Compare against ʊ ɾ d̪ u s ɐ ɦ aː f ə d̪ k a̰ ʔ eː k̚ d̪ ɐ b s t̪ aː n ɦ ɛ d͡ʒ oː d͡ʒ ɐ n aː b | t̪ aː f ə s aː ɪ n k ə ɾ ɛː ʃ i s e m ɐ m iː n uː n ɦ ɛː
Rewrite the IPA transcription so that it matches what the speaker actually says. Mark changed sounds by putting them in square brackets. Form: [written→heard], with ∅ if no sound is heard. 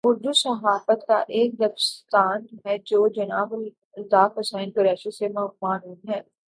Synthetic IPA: ʊ ɾ d̪ u s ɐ ɦ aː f ə [d̪→t̪] k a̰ ʔ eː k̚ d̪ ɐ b s t̪ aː n ɦ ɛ d͡ʒ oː d͡ʒ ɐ n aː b | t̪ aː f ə s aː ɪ n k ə ɾ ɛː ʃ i s e m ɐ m [iː→aː] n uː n ɦ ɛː